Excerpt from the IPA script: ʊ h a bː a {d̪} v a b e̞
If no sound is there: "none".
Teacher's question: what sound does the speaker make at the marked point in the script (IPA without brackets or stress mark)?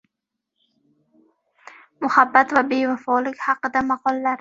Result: t̪